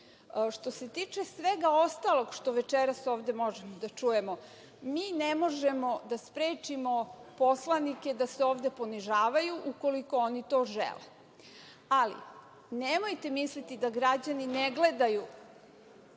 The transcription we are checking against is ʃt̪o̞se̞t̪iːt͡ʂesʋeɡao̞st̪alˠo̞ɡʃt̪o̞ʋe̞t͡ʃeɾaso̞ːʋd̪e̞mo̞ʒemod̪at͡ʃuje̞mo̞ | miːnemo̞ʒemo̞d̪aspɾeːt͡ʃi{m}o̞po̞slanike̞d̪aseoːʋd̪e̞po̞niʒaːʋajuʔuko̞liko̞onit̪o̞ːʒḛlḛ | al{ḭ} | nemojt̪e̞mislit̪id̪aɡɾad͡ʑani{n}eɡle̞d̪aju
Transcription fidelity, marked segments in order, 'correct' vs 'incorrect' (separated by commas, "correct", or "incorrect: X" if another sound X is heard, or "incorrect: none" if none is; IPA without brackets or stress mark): correct, correct, correct